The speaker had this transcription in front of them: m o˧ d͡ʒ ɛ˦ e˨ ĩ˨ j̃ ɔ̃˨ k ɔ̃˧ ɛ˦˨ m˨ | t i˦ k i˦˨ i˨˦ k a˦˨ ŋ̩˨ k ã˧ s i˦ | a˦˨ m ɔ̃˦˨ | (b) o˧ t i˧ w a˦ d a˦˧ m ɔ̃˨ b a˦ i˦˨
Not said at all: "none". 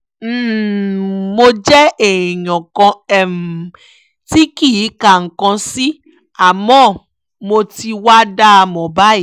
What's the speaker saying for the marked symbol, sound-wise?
m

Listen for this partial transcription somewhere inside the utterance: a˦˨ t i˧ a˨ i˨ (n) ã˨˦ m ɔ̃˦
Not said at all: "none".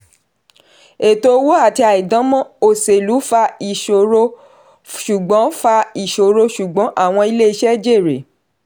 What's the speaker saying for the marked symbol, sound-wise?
d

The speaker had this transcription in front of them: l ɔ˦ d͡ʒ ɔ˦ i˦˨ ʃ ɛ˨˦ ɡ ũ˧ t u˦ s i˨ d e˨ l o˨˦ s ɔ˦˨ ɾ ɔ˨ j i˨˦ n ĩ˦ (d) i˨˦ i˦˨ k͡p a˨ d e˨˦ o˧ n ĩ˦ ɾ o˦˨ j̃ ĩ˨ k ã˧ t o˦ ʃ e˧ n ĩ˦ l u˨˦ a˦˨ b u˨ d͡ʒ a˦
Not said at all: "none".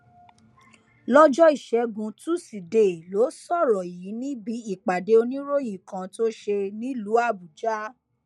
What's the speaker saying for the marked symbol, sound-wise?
b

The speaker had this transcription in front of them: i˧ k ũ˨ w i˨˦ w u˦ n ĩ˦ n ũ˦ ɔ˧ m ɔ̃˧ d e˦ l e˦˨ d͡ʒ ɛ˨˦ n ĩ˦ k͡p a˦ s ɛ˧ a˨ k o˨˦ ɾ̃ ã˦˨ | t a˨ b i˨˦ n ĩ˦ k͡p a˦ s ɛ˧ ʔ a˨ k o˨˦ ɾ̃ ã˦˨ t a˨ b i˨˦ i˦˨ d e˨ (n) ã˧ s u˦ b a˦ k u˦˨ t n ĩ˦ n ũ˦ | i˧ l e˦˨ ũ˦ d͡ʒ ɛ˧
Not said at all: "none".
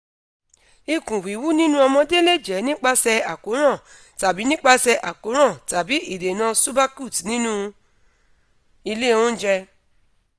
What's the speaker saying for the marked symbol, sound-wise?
n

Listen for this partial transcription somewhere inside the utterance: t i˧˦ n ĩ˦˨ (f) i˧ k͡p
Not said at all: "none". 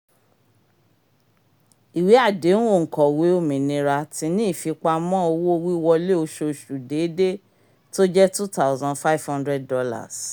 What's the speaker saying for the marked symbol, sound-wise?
f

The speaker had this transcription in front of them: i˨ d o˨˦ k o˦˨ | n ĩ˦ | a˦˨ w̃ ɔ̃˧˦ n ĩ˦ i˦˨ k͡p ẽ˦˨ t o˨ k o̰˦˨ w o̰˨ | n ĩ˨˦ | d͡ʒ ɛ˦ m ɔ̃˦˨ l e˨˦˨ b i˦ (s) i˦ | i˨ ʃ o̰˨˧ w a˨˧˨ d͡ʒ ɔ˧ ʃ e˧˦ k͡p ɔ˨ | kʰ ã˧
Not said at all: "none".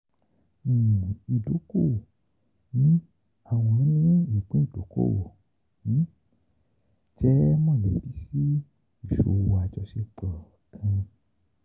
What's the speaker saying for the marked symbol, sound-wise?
s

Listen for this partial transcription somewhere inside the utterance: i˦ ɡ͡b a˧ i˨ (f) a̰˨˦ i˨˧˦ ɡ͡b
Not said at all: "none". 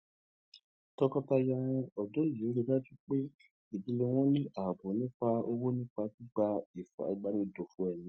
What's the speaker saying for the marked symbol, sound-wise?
f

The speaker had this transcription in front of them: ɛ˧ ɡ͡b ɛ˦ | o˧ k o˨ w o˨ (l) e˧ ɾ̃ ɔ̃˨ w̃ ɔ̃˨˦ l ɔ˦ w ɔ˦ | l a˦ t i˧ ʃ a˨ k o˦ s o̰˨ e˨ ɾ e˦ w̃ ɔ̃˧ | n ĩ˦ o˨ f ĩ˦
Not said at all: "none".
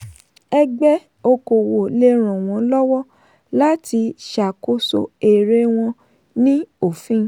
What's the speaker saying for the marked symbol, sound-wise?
l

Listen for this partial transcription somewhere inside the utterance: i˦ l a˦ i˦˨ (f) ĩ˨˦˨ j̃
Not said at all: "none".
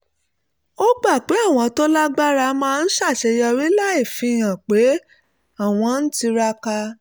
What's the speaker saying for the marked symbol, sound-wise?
f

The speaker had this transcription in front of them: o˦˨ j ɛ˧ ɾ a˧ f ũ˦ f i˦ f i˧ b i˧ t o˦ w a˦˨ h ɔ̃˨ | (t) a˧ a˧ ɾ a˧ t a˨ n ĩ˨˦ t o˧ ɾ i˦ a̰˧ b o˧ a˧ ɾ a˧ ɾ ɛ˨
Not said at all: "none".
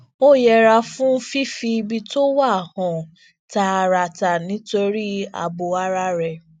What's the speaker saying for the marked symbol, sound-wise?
t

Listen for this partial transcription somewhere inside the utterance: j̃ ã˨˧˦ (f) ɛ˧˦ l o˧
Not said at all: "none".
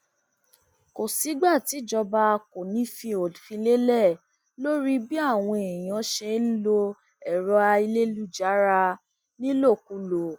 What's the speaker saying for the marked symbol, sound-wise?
ʃ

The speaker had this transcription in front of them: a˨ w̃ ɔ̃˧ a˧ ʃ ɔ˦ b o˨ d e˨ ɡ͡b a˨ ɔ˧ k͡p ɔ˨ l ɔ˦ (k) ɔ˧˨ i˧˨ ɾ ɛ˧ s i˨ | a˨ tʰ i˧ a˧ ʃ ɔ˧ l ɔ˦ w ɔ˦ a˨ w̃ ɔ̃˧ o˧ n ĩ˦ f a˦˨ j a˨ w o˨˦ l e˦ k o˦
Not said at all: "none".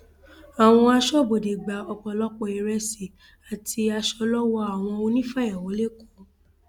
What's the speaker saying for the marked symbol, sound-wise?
k͡p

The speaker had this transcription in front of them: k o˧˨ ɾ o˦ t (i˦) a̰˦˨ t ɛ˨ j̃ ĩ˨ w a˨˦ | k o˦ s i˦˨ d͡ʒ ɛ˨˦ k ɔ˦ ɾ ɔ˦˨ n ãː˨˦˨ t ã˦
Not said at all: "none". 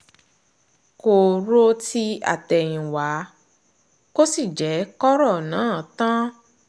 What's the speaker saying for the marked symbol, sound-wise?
i˦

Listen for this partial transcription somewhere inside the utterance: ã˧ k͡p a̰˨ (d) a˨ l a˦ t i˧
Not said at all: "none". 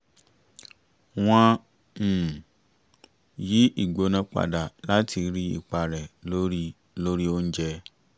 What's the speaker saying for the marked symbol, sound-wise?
d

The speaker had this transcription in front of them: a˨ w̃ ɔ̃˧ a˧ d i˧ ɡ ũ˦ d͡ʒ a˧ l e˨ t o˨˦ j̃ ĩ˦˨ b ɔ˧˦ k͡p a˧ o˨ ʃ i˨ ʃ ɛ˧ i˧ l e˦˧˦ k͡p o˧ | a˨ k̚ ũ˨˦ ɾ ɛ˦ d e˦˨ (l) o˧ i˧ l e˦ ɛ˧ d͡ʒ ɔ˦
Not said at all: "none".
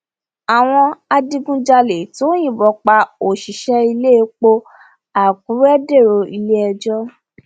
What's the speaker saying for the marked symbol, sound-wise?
ɾ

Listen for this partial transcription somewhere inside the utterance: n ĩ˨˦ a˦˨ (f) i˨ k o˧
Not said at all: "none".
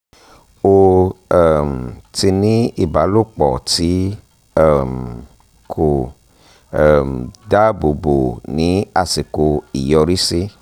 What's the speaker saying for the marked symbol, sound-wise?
s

